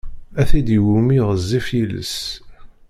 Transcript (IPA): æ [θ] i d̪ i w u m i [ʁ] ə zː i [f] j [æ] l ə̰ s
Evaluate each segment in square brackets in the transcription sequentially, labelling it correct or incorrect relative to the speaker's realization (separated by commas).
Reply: correct, correct, correct, incorrect